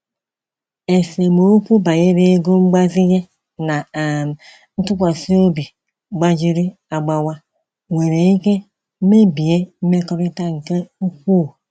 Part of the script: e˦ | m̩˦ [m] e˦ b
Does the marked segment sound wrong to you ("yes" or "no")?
no